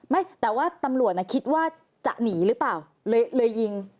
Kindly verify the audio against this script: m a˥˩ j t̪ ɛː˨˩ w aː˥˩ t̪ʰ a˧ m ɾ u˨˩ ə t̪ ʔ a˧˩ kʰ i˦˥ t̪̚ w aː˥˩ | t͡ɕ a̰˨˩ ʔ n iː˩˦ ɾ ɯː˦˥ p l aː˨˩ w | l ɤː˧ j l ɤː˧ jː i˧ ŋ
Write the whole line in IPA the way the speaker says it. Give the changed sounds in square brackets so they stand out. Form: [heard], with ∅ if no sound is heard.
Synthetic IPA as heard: m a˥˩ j t̪ ɛː˨˩ w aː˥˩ [t̪] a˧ m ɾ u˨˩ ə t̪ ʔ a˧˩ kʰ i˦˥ t̪̚ w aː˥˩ | t͡ɕ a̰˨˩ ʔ n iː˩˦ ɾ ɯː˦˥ p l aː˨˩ w | l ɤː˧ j l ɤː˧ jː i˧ ŋ